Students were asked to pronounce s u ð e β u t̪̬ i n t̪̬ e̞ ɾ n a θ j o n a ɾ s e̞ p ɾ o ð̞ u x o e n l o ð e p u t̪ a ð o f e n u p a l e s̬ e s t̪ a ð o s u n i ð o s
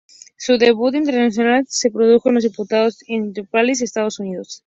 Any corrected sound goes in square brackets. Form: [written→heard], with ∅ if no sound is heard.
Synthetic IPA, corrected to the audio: s u ð e β u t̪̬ i n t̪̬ e̞ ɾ n a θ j o n a [ɾ→l] s e̞ p ɾ o ð̞ u x o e n l o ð [e→i] p u t̪ a ð o [f→s] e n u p a l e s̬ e s t̪ a ð o s u n i ð o s